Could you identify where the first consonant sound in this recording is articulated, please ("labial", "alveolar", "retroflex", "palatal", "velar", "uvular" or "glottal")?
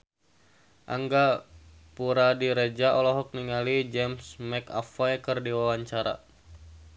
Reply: glottal